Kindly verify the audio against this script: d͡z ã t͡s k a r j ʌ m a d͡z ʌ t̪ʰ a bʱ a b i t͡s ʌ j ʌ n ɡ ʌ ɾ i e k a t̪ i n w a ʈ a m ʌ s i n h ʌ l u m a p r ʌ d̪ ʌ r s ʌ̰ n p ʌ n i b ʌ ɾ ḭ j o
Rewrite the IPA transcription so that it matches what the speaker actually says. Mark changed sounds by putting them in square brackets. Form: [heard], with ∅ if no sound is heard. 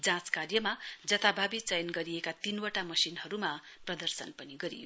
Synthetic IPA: d͡z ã t͡s k a r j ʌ m a d͡z ʌ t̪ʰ a bʱ a b i t͡s ʌ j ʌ n ɡ ʌ ɾ i e k a t̪ i n w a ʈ a m ʌ s i n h ʌ [ɾ] u m a p r ʌ d̪ ʌ r s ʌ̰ n p ʌ n i [ɡ] ʌ ɾ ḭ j o